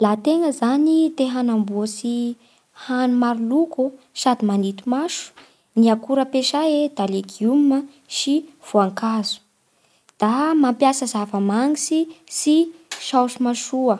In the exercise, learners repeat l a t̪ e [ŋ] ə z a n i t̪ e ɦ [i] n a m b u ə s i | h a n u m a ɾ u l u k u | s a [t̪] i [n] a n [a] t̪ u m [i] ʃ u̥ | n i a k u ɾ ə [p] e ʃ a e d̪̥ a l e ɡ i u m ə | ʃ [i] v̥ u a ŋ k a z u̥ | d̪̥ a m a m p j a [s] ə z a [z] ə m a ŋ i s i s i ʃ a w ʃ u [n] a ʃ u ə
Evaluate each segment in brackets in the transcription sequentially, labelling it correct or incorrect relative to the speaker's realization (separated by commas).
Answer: correct, incorrect, incorrect, incorrect, incorrect, incorrect, correct, correct, correct, incorrect, incorrect